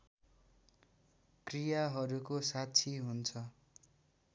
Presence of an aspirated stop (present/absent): present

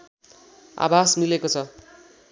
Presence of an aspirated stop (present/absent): present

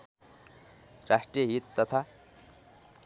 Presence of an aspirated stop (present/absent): present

